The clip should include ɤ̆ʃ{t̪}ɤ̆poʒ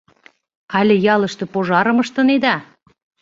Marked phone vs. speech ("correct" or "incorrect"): correct